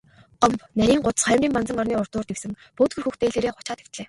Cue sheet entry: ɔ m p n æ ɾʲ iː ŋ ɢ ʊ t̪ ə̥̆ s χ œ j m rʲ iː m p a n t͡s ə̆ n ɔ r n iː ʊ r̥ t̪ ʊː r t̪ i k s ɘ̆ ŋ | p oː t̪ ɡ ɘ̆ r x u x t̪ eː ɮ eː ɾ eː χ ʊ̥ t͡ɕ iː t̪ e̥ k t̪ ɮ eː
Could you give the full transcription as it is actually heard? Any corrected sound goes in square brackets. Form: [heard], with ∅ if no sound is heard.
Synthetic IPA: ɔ m p n æ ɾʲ iː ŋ ɢ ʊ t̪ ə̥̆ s χ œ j m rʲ iː m p a n t͡s ə̆ [ŋ] ɔ r n iː ʊ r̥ t̪ ʊː r t̪ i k s ɘ̆ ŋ | p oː t̪ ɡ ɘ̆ r x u x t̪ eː ɮ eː ɾ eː χ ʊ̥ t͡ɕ [aː] t̪ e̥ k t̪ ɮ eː

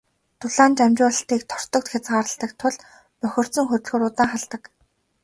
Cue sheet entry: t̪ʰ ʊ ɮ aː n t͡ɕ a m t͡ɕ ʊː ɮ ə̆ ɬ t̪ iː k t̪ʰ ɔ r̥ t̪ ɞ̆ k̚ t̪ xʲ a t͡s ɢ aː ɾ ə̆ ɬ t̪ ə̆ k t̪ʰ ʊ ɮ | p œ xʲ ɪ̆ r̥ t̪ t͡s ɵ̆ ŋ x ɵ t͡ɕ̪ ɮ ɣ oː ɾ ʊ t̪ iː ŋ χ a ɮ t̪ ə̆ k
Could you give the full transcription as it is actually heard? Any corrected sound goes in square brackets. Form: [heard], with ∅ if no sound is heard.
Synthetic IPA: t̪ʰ ʊ ɮ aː n t͡ɕ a m t͡ɕ ʊː ɮ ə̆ ɬ t̪ iː k t̪ʰ ɔ r̥ t̪ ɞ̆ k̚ t̪ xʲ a t͡s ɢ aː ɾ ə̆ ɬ t̪ ə̆ k t̪ʰ ʊ ɮ | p œ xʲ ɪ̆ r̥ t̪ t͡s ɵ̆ ŋ x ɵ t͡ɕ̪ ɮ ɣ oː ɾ ʊ t̪ [aː] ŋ χ a ɮ t̪ ə̆ k

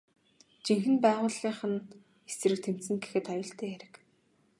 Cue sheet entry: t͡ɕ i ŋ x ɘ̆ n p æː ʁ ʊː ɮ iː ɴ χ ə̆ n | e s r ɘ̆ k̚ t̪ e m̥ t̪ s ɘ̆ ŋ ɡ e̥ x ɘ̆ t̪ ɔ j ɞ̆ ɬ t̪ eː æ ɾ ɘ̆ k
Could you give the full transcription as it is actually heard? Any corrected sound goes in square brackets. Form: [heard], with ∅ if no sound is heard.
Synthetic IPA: t͡ɕ i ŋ x ɘ̆ n p æː ʁ ʊː ɮ iː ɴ χ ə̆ n | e s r ɘ̆ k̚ [t̪ʰ] e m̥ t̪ s ɘ̆ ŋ ɡ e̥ x ɘ̆ t̪ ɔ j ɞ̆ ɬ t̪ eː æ ɾ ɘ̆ k

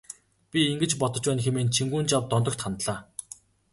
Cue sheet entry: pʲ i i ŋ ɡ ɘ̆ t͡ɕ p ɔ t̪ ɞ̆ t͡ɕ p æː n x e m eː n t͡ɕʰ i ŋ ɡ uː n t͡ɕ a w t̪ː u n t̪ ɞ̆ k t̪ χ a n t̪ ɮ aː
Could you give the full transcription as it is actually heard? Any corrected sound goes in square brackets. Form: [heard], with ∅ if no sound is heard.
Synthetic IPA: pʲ i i ŋ ɡ ɘ̆ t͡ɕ p ɔ t̪ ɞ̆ t͡ɕ p æː n x e m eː n t͡ɕʰ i ŋ ɡ uː n t͡ɕ a w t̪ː [ɔ] n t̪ ɞ̆ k t̪ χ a n t̪ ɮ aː

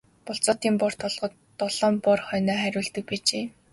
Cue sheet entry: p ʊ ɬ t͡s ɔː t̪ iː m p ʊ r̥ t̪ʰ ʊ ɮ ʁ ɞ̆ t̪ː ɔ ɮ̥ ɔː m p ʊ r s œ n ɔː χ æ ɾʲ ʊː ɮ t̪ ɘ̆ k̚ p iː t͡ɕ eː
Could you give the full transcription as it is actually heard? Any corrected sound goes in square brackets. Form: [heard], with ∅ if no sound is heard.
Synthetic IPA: p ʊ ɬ t͡s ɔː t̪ iː m p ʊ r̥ t̪ʰ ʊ ɮ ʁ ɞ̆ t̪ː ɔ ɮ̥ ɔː m p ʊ r [χ] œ n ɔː χ æ ɾʲ ʊː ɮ t̪ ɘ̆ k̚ p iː t͡ɕ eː

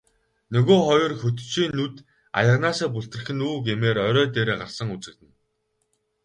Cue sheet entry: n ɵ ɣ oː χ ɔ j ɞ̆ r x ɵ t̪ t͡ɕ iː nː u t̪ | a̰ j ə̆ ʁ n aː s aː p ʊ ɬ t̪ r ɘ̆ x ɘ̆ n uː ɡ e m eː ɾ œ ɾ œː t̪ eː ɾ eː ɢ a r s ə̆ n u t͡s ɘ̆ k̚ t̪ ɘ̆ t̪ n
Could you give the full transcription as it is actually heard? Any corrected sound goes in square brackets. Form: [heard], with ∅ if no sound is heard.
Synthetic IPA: n ɵ ɣ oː χ ɔ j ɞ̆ r x ɵ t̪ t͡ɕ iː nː u t̪ | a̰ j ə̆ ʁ n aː s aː p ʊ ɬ t̪ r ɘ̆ x ɘ̆ n uː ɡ e m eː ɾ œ ɾ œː t̪ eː ɾ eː ɢ a r s ə̆ [ŋ] u t͡s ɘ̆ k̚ t̪ ɘ̆ [∅] n

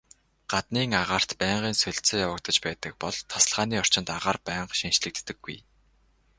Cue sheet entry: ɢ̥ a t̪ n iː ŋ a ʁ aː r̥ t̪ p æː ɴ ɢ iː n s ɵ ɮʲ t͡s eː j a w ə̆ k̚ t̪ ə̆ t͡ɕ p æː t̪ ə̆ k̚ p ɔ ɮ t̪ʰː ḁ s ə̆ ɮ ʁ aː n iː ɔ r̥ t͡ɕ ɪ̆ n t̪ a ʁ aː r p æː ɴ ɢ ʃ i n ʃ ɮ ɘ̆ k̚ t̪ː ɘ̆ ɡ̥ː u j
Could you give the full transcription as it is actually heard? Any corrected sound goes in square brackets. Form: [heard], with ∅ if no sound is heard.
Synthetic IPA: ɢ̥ a t̪ n iː ŋ a ʁ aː r̥ t̪ p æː ɴ ɢ iː n s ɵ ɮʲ t͡s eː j a w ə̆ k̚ t̪ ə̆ t͡ɕ p æː t̪ ə̆ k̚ p ɔ ɮ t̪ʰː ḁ s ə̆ ɮ ʁ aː n iː ɔ r̥ t͡ɕ ɪ̆ n t̪ a ʁ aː r p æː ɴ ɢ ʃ i n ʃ ɮ ɘ̆ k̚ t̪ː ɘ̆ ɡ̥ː u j

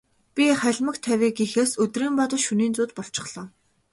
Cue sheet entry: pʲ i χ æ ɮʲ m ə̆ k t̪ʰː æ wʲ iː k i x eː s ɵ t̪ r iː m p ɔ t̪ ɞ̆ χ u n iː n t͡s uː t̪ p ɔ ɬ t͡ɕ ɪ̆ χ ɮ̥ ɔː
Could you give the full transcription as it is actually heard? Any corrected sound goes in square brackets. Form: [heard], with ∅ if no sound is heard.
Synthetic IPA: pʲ i χ æ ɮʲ m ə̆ k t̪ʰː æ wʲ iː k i x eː s ɵ t̪ r iː m p ɔ t̪ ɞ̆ [ʃ] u n iː n t͡s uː t̪ p ɔ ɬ t͡ɕ ɪ̆ χ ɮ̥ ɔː

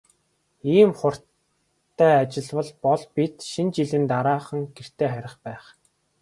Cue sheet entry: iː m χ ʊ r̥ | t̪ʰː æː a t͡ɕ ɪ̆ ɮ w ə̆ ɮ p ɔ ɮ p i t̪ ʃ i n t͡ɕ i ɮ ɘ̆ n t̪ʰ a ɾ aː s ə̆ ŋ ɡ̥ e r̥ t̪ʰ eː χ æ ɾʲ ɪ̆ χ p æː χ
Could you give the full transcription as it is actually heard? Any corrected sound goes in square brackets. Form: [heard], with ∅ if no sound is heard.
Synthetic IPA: iː m χ ʊ r̥ | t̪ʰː æː a t͡ɕ ɪ̆ ɮ w ə̆ ɮ p ɔ ɮ p i t̪ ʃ i n t͡ɕ i ɮ ɘ̆ n [t̪] a ɾ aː [χ] ə̆ ŋ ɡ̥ e r̥ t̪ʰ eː χ æ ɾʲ ɪ̆ χ p æː χ

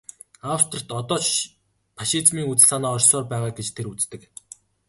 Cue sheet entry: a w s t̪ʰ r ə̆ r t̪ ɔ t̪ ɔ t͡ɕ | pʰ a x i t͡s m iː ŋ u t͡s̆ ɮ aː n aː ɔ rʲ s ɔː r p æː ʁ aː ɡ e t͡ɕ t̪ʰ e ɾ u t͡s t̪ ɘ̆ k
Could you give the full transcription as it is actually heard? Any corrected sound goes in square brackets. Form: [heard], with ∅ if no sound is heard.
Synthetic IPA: a w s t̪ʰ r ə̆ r t̪ ɔ t̪ [ɔː] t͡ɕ | pʰ a [ʃ] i t͡s m iː ŋ u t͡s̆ ɮ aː n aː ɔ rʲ s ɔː r p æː ʁ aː ɡ e t͡ɕ t̪ʰ e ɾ u t͡s t̪ ɘ̆ k

